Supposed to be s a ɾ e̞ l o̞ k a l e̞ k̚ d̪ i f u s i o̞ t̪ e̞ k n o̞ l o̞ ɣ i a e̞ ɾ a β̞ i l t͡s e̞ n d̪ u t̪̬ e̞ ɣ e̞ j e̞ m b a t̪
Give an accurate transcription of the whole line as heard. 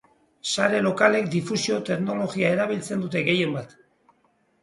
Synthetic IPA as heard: s a ɾ e̞ l o̞ k a l e̞ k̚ d̪ i f u s i o̞ t̪ e̞ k n o̞ l o̞ ɣ i a e̞ ɾ a β̞ i l t͡s e̞ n d̪ u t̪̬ e̞ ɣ e̞ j e̞ m b a t̪